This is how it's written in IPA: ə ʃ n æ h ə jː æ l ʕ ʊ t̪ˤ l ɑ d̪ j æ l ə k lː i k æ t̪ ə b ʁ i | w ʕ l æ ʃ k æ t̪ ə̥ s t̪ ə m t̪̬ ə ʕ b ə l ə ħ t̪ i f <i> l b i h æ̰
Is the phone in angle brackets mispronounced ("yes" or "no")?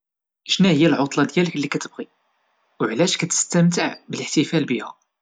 yes